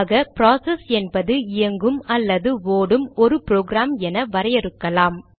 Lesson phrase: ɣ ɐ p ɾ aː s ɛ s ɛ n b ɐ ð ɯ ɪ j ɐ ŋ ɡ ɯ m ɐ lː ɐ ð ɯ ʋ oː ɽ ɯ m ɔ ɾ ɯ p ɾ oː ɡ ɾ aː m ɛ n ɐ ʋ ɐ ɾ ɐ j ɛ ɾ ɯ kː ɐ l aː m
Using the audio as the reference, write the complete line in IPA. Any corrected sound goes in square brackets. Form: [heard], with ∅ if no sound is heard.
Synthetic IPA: ɣ ɐ p ɾ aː s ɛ s ɛ n b ɐ ð ɯ ɪ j ɐ ŋ ɡ ɯ m ɐ lː ɐ ð ɯ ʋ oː ɽ ɯ m ɔ ɾ ɯ p ɾ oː ɡ ɾ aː m ɛ n ɐ ʋ ɐ ɾ ɐ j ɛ ɾ ɯ kː ɐ l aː m

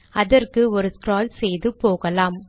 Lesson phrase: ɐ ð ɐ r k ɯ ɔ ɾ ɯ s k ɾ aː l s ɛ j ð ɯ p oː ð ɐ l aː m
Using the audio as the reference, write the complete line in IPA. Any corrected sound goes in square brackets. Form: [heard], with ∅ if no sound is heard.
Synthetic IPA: ɐ ð ɐ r k ɯ ɔ ɾ ɯ s k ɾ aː l s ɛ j ð ɯ p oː [ɣ] ɐ l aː m

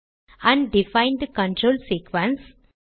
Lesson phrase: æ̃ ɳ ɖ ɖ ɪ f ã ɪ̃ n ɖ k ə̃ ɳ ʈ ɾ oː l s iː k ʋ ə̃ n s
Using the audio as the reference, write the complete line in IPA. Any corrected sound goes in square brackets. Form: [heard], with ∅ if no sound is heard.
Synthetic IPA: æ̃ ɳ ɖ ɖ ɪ f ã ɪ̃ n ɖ k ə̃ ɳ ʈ ɾ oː l s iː k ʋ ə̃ n s

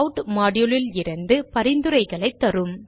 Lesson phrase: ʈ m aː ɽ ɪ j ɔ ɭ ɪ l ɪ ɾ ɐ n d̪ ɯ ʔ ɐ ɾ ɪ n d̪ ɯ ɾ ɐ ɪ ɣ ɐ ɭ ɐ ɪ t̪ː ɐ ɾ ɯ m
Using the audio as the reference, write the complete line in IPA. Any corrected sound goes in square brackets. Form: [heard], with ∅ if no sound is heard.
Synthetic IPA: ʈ m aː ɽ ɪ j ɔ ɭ ɪ l ɪ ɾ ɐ n d̪ ɯ [p] ɐ ɾ ɪ n d̪ ɯ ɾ ɐ ɪ ɣ ɐ ɭ ɐ ɪ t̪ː ɐ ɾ ɯ m

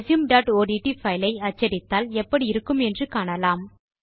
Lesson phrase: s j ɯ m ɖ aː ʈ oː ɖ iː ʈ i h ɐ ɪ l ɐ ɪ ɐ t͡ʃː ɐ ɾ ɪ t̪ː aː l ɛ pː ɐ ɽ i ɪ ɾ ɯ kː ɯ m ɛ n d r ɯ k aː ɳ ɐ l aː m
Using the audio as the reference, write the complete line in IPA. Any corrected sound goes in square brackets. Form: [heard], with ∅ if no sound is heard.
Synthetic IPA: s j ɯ m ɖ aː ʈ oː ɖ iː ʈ i [f] ɐ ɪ l ɐ ɪ ɐ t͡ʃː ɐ ɾ ɪ t̪ː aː l ɛ pː ɐ ɽ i ɪ ɾ ɯ kː ɯ m ɛ n d r ɯ k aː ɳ ɐ l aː m

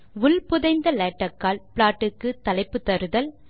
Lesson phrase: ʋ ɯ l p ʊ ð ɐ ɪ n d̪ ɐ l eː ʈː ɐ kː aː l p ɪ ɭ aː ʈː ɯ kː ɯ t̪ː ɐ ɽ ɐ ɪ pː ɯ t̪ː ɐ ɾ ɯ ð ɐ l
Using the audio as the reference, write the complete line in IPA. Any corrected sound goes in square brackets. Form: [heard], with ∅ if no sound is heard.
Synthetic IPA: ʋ [ʊ] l p ʊ ð ɐ ɪ n d̪ ɐ l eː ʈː ɐ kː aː l p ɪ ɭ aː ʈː ɯ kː ɯ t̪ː ɐ [l] ɐ ɪ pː ɯ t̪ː ɐ ɾ ɯ ð ɐ l

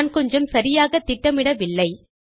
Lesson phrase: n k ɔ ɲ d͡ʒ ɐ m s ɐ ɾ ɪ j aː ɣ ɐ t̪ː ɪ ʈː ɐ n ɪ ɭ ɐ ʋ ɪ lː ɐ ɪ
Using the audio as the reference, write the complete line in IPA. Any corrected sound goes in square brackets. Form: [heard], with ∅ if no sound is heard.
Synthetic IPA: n k ɔ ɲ d͡ʒ ɐ m s ɐ ɾ ɪ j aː ɣ ɐ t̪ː ɪ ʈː ɐ [m] ɪ [ɽ] ɐ ʋ ɪ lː ɐ ɪ

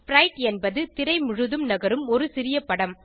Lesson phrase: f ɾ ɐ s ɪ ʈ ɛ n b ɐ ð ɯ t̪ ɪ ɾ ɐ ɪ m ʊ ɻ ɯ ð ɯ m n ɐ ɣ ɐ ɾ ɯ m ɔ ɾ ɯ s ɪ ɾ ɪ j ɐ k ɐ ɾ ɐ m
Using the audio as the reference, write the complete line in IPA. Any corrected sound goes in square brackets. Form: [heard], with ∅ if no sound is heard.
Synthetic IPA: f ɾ ɐ [∅] ɪ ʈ ɛ n b ɐ ð ɯ t̪ ɪ ɾ ɐ ɪ m ʊ ɻ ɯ ð ɯ m n ɐ ɣ ɐ ɾ ɯ m ɔ ɾ ɯ s ɪ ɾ ɪ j ɐ [p] ɐ [ɽ] ɐ m

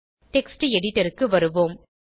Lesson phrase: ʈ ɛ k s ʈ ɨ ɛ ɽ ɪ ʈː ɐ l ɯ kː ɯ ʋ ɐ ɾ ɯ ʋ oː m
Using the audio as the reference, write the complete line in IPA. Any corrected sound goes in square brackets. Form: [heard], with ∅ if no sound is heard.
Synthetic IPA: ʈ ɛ k s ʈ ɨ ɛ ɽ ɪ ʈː ɐ [ɾ] ɯ kː ɯ ʋ ɐ ɾ ɯ ʋ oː m

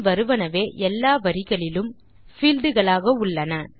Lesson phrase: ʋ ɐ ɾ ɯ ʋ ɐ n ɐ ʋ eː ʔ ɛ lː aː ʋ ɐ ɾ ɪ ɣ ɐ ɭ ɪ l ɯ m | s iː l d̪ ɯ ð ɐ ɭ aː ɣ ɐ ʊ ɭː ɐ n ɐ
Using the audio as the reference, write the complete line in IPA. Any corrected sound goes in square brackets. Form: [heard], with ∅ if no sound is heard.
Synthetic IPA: ʋ ɐ ɾ ɯ ʋ ɐ n ɐ ʋ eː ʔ ɛ lː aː ʋ ɐ ɾ ɪ ɣ ɐ ɭ ɪ l ɯ m | [f] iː l d̪ ɯ [ɣ] ɐ ɭ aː ɣ ɐ ʊ ɭː ɐ n ɐ

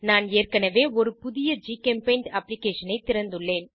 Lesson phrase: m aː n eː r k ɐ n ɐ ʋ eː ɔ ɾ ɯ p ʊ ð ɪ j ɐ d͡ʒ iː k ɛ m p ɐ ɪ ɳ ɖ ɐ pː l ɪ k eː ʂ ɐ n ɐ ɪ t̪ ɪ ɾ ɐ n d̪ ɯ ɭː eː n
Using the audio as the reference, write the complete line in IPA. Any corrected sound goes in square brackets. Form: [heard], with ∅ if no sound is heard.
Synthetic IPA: [n] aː n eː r k ɐ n ɐ ʋ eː ɔ ɾ ɯ p ʊ ð ɪ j ɐ d͡ʒ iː k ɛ m p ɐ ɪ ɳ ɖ ɐ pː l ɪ k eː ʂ ɐ n ɐ ɪ t̪ ɪ ɾ ɐ n d̪ ɯ ɭː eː n

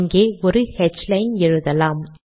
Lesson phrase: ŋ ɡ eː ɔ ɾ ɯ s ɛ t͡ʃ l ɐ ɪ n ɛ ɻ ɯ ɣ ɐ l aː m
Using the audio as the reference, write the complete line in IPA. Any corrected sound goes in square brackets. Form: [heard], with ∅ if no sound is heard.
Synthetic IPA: ŋ ɡ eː ɔ ɾ ɯ [h] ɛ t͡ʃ l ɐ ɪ n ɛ ɻ ɯ [ð] ɐ l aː m

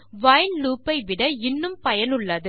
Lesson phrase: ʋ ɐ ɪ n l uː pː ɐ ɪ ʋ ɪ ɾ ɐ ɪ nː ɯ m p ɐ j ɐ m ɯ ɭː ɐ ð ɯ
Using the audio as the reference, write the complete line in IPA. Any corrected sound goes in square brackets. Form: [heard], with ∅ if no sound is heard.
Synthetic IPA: ʋ ɐ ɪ n l uː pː ɐ ɪ ʋ ɪ [ɽ] ɐ ɪ nː ɯ m p ɐ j ɐ [n] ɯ ɭː ɐ ð ɯ

